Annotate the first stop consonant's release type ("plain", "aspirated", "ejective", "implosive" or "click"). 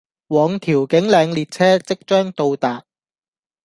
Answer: aspirated